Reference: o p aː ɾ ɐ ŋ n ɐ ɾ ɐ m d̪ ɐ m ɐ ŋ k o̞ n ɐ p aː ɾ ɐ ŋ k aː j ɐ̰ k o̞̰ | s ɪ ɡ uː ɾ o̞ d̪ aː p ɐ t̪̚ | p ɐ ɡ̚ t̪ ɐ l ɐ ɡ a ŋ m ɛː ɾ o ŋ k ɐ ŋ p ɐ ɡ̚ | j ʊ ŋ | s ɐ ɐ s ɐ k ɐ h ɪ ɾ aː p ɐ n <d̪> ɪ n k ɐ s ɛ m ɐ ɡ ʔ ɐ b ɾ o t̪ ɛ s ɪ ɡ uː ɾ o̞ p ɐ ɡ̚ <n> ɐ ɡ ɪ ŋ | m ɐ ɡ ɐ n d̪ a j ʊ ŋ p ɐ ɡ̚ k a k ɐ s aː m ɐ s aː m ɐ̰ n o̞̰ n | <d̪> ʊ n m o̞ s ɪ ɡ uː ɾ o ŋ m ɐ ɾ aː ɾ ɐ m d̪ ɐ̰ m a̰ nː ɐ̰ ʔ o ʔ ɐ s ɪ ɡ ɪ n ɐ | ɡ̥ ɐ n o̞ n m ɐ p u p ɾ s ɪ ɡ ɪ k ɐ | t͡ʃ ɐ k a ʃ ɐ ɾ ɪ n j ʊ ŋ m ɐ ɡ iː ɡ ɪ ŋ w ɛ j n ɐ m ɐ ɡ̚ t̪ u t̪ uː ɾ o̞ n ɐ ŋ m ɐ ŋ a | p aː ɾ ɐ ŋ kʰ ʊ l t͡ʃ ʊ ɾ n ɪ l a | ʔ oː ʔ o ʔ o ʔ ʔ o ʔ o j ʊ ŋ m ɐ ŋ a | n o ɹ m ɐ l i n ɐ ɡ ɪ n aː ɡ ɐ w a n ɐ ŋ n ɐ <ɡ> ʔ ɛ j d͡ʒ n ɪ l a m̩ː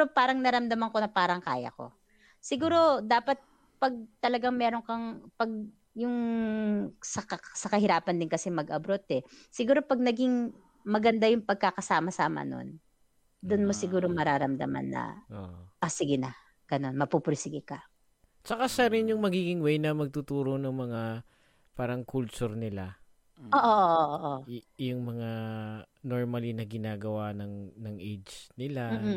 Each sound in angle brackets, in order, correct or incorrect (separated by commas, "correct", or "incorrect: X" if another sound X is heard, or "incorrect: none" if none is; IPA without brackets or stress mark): correct, correct, correct, incorrect: ŋ